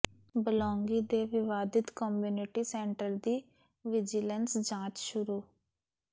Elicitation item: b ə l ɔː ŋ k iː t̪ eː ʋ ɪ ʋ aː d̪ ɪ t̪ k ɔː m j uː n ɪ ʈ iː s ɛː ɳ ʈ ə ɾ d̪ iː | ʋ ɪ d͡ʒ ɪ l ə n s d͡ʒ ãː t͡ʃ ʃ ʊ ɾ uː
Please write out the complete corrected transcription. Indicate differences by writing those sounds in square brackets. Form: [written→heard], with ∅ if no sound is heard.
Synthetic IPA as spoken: b ə l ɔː ŋ [k→ɡ] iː [t̪→d̪] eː ʋ ɪ ʋ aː d̪ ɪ t̪ k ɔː m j uː n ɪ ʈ iː s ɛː ɳ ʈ ə ɾ d̪ iː | ʋ ɪ d͡ʒ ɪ l ə n s d͡ʒ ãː t͡ʃ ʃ ʊ ɾ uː

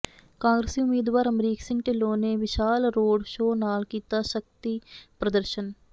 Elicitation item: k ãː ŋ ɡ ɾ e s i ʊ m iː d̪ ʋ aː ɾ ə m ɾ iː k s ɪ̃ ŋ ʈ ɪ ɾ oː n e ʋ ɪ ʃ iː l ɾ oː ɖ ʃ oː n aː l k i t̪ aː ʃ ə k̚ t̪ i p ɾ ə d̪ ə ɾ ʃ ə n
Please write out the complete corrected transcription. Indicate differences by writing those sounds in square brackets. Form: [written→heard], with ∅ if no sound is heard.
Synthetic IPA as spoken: k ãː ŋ ɡ ɾ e s i ʊ m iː d̪ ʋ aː ɾ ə m ɾ iː k s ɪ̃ ŋ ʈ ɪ [ɾ→l] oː n e ʋ ɪ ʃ [iː→aː] l ɾ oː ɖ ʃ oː n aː l k [i→iː] t̪ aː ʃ ə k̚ t̪ i p ɾ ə d̪ ə ɾ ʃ ə n

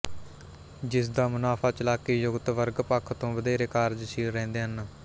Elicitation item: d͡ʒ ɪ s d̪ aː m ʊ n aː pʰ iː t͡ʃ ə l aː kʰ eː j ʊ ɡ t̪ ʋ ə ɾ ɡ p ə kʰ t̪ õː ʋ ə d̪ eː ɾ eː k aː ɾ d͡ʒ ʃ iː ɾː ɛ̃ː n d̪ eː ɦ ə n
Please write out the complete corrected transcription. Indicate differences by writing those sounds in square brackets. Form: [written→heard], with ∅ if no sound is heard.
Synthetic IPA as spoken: d͡ʒ ɪ s d̪ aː m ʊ n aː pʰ [iː→aː] t͡ʃ ə l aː [kʰ→k] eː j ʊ ɡ t̪ ʋ ə ɾ ɡ p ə kʰ t̪ õː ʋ ə d̪ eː ɾ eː k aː ɾ d͡ʒ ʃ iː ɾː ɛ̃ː n d̪ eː ɦ ə n

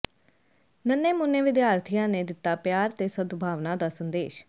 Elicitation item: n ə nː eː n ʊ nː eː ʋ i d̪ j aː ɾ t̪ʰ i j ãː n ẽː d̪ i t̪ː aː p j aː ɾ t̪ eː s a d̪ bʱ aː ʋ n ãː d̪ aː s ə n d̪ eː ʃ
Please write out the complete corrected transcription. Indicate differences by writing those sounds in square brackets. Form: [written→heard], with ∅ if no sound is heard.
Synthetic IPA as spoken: n ə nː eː [n→m] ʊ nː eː ʋ [i→ɪ] d̪ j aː ɾ t̪ʰ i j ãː n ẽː d̪ [i→ɪ] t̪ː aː p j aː ɾ t̪ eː s [a→ə] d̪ bʱ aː ʋ n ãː d̪ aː s ə n d̪ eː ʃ

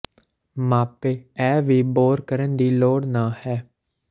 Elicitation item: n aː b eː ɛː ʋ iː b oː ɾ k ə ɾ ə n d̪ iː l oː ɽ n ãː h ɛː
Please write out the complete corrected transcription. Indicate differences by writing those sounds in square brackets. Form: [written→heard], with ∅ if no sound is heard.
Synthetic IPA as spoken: [n→m] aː [b→p] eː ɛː ʋ iː b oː ɾ k ə ɾ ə n d̪ iː l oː ɽ n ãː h ɛː

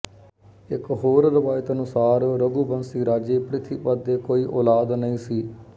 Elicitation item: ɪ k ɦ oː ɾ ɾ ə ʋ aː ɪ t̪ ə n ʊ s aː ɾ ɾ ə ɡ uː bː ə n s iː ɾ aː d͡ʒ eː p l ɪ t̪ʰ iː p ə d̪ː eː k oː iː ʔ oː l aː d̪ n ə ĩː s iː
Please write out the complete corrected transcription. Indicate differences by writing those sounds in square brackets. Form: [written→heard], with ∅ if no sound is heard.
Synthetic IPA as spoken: ɪ k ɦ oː ɾ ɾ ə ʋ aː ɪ t̪ ə n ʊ s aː ɾ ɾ ə ɡ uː [bː→b] ə n s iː ɾ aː d͡ʒ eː p [l→ɾ] ɪ t̪ʰ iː p ə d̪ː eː k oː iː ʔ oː l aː d̪ n ə ĩː s iː

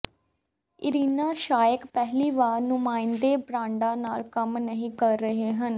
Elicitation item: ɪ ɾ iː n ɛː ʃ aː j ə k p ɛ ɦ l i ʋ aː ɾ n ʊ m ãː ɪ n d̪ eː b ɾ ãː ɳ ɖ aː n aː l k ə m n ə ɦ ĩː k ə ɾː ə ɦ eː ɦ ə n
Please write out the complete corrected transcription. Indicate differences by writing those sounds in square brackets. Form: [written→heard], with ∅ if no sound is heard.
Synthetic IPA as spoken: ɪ ɾ iː n [ɛː→aː] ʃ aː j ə k p ɛ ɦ l [i→iː] ʋ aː ɾ n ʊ m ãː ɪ n d̪ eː b ɾ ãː ɳ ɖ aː n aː l k ə m n ə ɦ ĩː k ə ɾː ə ɦ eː ɦ ə n

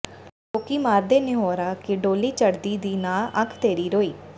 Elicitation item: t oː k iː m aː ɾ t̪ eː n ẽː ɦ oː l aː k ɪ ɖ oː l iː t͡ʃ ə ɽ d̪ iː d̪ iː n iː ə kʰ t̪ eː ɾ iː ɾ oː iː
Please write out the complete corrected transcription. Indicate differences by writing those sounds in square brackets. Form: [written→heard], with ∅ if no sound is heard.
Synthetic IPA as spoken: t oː k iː m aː ɾ [t̪→d̪] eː n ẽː ɦ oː [l→ɾ] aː k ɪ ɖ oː l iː t͡ʃ ə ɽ d̪ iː d̪ iː n [iː→aː] ə kʰ t̪ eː ɾ iː ɾ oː iː

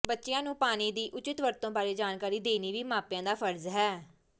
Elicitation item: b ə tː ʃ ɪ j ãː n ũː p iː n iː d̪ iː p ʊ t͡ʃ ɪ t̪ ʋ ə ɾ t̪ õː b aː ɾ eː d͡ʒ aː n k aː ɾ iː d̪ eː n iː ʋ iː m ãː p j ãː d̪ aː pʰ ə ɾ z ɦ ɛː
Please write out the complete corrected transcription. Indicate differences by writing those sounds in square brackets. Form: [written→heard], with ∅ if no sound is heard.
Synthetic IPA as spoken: b ə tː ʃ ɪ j ãː n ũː p [iː→aː] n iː d̪ iː [p→ʔ] ʊ t͡ʃ ɪ t̪ ʋ ə ɾ t̪ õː b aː ɾ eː d͡ʒ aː n k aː ɾ iː d̪ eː n iː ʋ iː m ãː p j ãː d̪ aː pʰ ə ɾ z ɦ ɛː

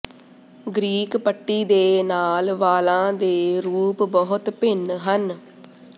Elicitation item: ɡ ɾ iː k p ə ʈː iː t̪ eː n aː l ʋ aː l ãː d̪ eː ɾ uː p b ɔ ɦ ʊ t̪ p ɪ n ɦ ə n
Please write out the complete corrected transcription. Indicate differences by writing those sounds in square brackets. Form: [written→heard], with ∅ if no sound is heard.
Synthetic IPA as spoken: ɡ ɾ iː k p ə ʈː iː [t̪→d̪] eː n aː l ʋ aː l ãː d̪ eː ɾ uː p b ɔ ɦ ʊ t̪ p ɪ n ɦ ə n

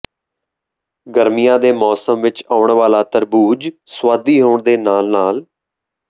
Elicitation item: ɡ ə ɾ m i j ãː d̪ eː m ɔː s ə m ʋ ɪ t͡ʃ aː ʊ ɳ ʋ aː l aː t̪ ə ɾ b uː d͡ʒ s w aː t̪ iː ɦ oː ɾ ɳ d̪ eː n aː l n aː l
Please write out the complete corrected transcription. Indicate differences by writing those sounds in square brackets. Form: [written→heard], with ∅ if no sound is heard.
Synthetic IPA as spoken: ɡ ə ɾ m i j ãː d̪ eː m ɔː s ə m ʋ ɪ t͡ʃ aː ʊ ɳ ʋ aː l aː t̪ ə ɾ b uː d͡ʒ s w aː [t̪→d̪] iː ɦ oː [ɾ→∅] ɳ d̪ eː n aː l n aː l

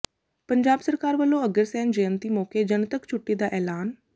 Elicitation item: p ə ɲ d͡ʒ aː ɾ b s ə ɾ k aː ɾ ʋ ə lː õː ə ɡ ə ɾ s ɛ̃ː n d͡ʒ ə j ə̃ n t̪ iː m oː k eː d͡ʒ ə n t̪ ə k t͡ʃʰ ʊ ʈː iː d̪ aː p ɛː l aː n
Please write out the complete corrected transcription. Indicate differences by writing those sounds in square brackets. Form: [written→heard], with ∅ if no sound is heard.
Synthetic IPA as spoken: p ə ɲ d͡ʒ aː [ɾ→∅] b s ə ɾ k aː ɾ ʋ ə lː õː ə ɡ ə ɾ s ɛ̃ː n d͡ʒ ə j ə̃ n t̪ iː m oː k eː d͡ʒ ə n t̪ ə k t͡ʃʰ ʊ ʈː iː d̪ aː [p→ʔ] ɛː l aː n

